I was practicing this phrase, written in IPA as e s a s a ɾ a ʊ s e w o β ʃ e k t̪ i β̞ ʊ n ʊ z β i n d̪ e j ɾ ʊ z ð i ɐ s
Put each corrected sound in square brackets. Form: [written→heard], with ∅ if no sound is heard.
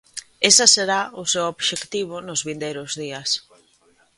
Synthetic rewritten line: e s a s [a→e] ɾ a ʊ s e w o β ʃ e k t̪ i β̞ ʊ n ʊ z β i n d̪ e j ɾ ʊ z ð i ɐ s